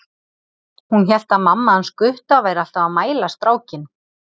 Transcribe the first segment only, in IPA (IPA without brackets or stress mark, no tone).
h